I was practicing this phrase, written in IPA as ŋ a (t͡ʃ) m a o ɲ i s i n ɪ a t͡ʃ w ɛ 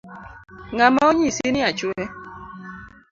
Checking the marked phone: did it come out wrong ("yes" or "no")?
yes